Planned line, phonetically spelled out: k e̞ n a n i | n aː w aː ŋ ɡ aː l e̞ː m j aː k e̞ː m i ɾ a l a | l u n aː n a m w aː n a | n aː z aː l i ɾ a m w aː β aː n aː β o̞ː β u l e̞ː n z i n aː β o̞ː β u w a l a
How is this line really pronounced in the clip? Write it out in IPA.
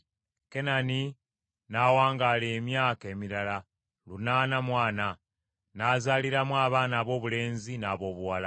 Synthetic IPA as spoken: k e̞ n a n i | n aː w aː ŋ ɡ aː l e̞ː m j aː k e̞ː m i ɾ a l a | l u n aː n a m w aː n a | n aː z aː l i ɾ a m w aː β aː n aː β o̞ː β u l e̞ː n z i n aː β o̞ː β u w a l a